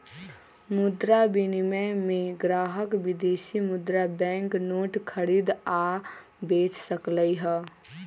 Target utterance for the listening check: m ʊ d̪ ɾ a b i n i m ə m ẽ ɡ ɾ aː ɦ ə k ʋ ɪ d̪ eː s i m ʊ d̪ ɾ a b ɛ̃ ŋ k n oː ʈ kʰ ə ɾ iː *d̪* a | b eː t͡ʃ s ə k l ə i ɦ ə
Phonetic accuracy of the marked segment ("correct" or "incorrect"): correct